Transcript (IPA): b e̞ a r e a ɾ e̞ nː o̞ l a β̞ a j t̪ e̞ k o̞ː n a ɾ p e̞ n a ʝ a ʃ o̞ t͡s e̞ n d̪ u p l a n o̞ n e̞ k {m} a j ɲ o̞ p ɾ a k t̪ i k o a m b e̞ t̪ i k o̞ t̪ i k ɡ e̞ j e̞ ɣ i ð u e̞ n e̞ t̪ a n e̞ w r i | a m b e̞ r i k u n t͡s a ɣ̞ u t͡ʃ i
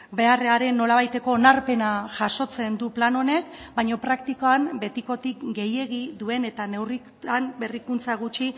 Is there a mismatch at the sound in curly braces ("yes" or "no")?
yes